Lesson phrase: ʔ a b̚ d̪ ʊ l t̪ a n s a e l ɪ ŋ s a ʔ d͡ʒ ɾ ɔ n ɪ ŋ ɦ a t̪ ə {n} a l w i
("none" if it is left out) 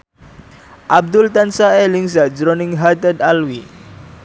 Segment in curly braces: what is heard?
d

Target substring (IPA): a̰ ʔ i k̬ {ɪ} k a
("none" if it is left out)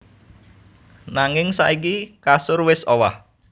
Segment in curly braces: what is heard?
i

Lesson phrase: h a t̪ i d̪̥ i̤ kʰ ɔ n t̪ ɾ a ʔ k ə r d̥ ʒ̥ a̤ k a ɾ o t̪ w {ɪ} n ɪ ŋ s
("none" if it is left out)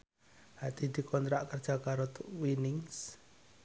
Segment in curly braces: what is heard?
i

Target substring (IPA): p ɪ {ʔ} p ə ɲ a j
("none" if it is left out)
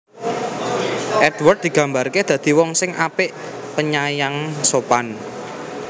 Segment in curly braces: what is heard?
ʔ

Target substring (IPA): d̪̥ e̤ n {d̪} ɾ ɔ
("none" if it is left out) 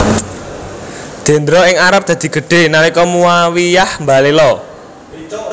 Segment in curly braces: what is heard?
d̪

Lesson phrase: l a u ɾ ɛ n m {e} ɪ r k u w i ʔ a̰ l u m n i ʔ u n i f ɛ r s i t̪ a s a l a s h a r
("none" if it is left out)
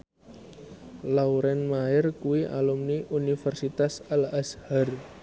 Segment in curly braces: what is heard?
a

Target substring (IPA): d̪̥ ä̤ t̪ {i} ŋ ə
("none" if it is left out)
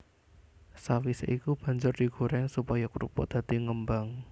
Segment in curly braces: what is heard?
i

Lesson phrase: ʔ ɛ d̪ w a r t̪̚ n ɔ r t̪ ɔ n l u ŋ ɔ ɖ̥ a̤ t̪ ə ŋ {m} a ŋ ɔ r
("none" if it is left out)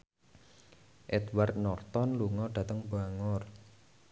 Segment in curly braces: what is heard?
b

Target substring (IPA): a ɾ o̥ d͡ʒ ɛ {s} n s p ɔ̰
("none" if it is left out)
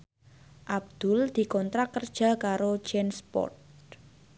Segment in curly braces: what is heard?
none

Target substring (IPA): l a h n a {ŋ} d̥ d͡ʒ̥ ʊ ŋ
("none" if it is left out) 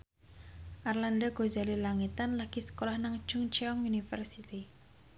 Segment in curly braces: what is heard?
ŋ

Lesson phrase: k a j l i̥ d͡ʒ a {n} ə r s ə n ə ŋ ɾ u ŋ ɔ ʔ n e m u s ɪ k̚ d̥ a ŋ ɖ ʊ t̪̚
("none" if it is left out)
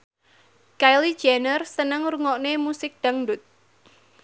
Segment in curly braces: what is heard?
n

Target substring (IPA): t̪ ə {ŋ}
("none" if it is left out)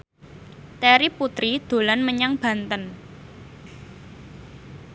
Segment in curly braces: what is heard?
n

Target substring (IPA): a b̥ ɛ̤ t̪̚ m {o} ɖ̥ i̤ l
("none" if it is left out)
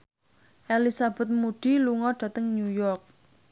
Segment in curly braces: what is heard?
u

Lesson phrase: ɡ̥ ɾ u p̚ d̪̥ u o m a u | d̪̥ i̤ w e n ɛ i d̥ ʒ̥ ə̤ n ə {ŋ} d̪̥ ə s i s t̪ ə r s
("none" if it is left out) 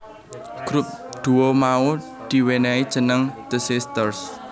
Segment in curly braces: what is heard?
ŋ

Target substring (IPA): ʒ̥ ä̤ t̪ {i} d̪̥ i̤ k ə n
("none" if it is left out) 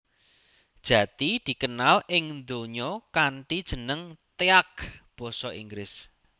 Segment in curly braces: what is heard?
i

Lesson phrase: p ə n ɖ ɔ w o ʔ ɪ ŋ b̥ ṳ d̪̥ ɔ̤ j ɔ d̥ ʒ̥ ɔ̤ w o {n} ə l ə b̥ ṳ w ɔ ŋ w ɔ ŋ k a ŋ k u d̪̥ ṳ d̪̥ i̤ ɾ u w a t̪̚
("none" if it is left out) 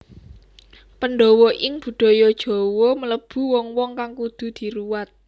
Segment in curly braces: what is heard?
m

